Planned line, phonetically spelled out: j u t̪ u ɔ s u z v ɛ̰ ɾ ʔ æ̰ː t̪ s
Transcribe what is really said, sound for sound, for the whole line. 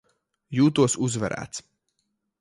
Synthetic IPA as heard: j uː t̪ u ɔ s u z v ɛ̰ ɾ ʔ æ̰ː t̪ s